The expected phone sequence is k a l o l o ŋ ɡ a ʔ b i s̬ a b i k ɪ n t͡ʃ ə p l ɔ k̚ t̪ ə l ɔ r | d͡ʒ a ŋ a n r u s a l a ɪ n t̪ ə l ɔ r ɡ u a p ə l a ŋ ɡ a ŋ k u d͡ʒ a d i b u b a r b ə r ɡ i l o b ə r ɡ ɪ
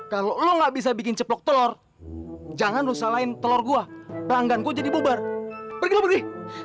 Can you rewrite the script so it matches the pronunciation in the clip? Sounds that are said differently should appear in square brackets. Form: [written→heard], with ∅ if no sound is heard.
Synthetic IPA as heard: k a l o l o ŋ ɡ a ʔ b i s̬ a b i k ɪ n t͡ʃ ə p l ɔ k̚ t̪ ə l ɔ r | d͡ʒ a ŋ a n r u s a l a ɪ n t̪ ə l ɔ r ɡ u a p ə l a ŋ ɡ a [ŋ→n] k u d͡ʒ a d i b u b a r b ə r ɡ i l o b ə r ɡ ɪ